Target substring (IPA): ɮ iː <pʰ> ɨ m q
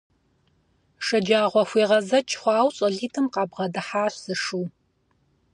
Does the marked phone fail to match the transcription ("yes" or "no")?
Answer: yes